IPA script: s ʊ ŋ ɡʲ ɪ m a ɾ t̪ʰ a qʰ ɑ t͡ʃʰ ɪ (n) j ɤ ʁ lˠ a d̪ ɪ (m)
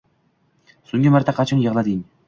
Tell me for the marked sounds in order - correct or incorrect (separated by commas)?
correct, incorrect